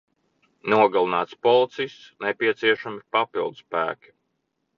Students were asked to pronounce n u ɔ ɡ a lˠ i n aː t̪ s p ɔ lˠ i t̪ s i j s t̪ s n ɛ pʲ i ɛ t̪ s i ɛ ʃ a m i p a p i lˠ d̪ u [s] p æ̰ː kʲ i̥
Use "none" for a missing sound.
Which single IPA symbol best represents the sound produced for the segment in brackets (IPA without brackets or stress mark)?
s